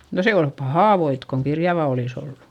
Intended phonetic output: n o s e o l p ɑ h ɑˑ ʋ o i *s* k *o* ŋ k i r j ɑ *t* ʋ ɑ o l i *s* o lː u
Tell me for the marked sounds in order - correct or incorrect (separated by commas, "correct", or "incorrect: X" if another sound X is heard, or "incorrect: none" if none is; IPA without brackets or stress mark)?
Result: incorrect: t, correct, incorrect: none, correct